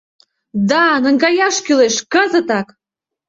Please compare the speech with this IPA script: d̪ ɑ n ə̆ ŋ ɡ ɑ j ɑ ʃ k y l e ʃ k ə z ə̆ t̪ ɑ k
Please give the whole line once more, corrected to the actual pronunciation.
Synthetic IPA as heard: d̪ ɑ n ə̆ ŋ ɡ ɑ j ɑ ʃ k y l e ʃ k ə z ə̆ t̪ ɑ k